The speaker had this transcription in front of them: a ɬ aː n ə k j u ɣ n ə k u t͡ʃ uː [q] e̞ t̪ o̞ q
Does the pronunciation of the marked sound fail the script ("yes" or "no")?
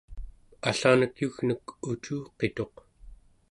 no